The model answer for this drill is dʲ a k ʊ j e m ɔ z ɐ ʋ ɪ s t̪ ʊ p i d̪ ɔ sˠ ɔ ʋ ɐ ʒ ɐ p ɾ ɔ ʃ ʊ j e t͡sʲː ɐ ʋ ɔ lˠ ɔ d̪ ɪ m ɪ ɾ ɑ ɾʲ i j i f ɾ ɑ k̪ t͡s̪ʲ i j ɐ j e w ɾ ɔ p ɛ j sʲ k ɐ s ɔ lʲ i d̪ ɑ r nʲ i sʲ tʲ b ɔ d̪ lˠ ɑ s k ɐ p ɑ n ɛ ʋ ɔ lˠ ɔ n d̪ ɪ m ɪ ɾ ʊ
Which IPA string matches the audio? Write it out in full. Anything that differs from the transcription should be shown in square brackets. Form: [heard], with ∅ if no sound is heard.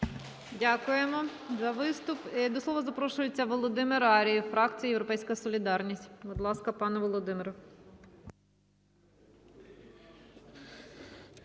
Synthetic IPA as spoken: dʲ a k ʊ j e m ɔ z ɐ ʋ ɪ s t̪ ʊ p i d̪ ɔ sˠ ɔ ʋ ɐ [z] ɐ p ɾ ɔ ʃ ʊ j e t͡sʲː ɐ ʋ ɔ lˠ ɔ d̪ ɪ m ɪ ɾ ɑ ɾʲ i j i f ɾ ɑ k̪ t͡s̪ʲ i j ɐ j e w ɾ ɔ p ɛ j sʲ k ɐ s ɔ lʲ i d̪ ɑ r nʲ i sʲ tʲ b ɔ d̪ lˠ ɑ s k ɐ p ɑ n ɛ ʋ ɔ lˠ ɔ [∅] d̪ ɪ m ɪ ɾ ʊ

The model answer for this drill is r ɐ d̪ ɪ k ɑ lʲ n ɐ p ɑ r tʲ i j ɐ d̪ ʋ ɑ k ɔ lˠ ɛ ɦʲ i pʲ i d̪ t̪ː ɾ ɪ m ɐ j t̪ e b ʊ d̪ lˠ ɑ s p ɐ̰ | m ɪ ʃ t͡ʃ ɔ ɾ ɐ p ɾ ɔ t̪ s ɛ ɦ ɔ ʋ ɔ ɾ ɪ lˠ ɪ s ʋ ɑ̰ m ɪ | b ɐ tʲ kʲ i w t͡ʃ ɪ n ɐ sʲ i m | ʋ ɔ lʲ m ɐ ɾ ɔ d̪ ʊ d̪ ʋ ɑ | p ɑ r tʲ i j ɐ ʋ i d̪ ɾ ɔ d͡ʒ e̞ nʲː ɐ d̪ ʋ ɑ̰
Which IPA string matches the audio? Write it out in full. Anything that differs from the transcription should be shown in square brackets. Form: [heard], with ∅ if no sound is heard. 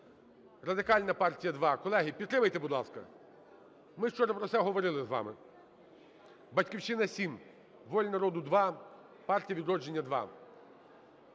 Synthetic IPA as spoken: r ɐ d̪ ɪ k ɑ lʲ n ɐ p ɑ r tʲ i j ɐ d̪ ʋ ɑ k ɔ lˠ ɛ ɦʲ i pʲ i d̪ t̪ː ɾ ɪ m ɐ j t̪ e b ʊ d̪ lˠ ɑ s [k] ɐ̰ | m ɪ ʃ t͡ʃ ɔ ɾ ɐ p ɾ ɔ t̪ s ɛ ɦ ɔ ʋ ɔ ɾ ɪ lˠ ɪ [z] ʋ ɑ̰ m ɪ | b ɐ tʲ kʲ i w t͡ʃ ɪ n ɐ sʲ i m | ʋ ɔ lʲ [n] ɐ ɾ ɔ d̪ ʊ d̪ ʋ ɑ | p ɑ r tʲ i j ɐ ʋ i d̪ ɾ ɔ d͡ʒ e̞ nʲː ɐ d̪ ʋ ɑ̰

